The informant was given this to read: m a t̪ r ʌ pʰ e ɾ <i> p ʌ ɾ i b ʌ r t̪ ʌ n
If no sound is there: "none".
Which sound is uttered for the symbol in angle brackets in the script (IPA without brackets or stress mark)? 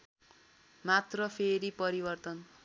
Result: i